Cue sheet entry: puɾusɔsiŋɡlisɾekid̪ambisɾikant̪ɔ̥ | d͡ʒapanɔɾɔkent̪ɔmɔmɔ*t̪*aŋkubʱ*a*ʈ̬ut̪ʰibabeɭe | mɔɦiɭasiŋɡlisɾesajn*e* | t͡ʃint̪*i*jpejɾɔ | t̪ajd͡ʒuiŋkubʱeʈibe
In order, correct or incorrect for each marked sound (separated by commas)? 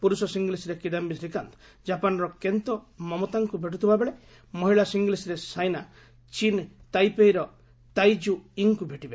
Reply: correct, incorrect, incorrect, incorrect